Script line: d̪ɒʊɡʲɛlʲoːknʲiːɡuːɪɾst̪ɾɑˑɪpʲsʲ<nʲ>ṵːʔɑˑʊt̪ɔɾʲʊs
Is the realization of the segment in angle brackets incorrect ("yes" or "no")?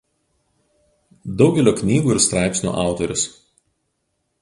no